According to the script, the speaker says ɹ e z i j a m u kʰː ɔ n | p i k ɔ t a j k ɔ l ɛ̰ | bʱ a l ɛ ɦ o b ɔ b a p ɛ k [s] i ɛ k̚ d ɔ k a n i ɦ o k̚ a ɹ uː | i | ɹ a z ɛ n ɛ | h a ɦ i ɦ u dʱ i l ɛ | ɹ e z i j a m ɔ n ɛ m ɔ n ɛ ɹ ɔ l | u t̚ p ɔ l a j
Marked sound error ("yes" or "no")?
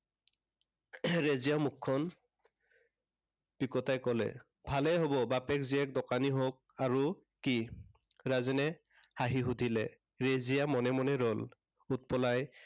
yes